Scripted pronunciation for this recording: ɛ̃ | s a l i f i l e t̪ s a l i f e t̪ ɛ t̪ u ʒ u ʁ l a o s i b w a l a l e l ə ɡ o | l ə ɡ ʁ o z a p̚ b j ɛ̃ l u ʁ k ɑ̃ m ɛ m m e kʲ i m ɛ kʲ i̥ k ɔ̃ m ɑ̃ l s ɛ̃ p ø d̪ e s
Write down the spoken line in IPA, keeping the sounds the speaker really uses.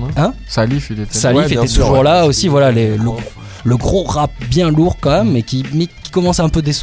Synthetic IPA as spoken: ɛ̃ | s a l i f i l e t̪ s a l i f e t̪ ɛ t̪ u ʒ u ʁ l a o s i v w a l a l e l ə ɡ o | l ə ɡ ʁ o ʁ a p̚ b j ɛ̃ l u ʁ k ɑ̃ m ɛ m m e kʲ i m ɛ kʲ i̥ k ɔ m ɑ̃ s ɛ̃ p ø d̪ e s